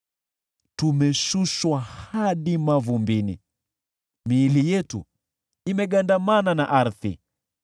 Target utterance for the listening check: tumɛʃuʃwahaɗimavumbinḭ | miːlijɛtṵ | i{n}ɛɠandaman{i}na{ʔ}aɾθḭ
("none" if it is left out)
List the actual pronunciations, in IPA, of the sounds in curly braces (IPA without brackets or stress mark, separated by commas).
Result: m, a, ʔ